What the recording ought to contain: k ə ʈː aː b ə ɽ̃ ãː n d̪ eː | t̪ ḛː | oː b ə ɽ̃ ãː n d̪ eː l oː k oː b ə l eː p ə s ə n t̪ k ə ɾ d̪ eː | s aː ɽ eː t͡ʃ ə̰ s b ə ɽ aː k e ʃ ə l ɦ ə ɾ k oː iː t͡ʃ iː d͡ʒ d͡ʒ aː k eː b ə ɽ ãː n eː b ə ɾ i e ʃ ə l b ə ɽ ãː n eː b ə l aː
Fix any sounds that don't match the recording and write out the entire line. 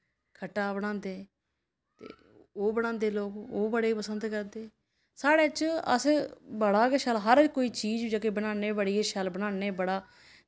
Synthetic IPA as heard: kʰ ə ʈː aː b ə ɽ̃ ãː n d̪ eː | t̪ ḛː | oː b ə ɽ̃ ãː n d̪ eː l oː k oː b ə ɽ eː p ə s ə n d̪ k ə ɾ d̪ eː | s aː ɽ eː t͡ʃ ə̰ s b ə ɽ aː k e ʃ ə l ɦ ə ɾ k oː iː t͡ʃ iː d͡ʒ d͡ʒ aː k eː b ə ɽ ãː n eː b ə ɽ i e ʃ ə l b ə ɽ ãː n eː b ə ɽ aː